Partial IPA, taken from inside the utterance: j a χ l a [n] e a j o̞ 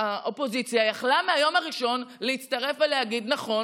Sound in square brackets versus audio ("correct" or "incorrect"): incorrect